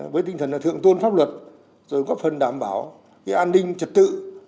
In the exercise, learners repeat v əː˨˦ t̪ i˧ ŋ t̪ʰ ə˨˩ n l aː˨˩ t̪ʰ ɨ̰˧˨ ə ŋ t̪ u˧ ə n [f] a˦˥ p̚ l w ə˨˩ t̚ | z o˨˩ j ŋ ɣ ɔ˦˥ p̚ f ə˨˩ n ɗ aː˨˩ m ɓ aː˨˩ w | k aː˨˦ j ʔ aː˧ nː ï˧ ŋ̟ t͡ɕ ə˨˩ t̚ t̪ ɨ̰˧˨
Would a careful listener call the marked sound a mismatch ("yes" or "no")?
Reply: no